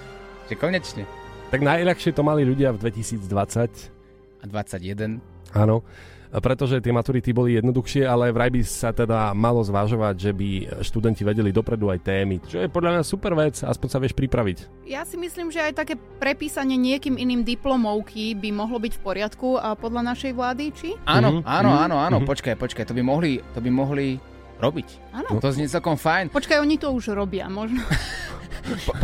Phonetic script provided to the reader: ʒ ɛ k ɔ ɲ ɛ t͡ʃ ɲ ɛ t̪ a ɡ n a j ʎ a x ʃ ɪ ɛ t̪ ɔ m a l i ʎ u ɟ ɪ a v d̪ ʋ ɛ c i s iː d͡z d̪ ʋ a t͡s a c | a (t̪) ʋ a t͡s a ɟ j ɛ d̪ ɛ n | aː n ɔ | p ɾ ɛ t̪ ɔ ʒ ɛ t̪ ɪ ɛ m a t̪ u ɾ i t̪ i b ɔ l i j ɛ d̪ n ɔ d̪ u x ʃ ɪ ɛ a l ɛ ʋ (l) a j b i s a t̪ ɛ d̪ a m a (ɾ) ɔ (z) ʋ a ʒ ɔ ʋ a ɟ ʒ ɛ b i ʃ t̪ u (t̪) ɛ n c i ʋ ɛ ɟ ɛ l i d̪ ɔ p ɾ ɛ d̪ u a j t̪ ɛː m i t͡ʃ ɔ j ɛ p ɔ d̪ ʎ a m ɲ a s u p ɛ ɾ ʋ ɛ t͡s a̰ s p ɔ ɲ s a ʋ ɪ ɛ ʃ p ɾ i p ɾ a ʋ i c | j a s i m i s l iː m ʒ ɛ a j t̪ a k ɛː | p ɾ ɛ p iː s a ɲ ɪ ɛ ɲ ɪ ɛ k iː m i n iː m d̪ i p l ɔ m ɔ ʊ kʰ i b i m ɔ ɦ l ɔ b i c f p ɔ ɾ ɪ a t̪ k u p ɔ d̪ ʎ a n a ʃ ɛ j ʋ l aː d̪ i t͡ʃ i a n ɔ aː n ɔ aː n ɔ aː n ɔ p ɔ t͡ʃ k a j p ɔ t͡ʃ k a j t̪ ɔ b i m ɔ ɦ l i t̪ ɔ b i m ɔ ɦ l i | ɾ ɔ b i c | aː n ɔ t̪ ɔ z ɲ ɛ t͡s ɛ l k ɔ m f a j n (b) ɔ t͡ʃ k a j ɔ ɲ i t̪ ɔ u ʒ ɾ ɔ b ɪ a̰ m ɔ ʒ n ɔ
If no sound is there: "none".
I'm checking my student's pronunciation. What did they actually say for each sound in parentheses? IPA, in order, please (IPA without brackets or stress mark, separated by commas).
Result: d̪, ɾ, l, z, d̪, p